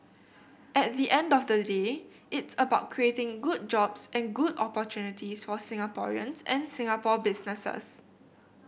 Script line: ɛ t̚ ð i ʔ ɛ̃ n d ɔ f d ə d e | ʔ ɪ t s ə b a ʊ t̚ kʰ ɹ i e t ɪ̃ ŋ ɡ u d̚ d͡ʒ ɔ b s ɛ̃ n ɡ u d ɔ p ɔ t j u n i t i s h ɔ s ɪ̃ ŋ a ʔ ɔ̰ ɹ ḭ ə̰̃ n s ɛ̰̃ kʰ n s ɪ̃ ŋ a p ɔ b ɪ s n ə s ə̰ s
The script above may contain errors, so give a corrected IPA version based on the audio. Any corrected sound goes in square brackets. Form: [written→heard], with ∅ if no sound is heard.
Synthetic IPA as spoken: ɛ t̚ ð i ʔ ɛ̃ n d ɔ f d ə d e | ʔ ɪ t s ə b a ʊ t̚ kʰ ɹ i e t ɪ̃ ŋ ɡ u d̚ d͡ʒ ɔ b s ɛ̃ n ɡ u d ɔ p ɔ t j u n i t i s [h→f] ɔ s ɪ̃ ŋ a [ʔ→p] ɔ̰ ɹ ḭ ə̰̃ n s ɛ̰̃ [kʰ→∅] n s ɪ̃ ŋ a p ɔ b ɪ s n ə s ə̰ s